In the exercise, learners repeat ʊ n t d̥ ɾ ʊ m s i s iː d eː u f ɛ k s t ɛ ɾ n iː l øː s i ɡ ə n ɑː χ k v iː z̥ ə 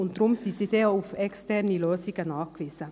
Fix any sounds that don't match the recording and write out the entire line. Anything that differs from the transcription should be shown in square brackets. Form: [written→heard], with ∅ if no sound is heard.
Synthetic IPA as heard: ʊ n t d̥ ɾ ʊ m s i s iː d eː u f ɛ k s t ɛ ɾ n [iː→i] l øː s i ɡ ə n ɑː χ k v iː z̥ ə